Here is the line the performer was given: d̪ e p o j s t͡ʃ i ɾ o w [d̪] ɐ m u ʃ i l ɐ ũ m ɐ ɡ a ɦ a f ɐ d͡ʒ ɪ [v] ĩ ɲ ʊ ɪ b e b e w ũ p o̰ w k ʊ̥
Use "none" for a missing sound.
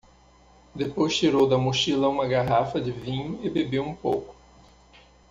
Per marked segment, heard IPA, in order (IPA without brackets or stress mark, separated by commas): d̪, v